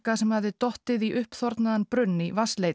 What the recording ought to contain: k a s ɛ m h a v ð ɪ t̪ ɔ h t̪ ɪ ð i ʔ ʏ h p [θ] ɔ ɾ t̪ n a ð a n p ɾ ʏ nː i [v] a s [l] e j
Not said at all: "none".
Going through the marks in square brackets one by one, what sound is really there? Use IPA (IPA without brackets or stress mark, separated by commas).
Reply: θ, v, l